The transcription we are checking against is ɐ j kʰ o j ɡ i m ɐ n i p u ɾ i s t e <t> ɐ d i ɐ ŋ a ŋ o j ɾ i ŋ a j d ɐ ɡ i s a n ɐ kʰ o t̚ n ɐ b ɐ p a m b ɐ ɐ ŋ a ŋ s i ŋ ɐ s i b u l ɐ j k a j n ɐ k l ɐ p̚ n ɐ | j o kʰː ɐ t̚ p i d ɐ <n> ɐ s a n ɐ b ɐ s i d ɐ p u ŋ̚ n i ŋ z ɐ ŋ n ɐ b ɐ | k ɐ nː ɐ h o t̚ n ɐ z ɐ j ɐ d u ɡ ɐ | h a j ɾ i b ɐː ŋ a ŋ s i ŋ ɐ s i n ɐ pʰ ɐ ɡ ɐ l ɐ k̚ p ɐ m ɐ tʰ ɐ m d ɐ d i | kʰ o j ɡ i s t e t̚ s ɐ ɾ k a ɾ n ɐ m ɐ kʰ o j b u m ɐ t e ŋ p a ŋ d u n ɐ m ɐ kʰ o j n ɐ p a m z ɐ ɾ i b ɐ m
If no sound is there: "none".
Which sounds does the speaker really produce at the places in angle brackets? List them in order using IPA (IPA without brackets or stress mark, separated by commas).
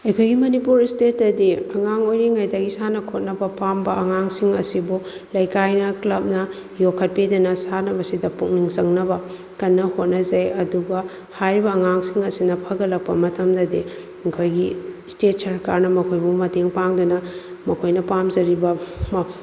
t, n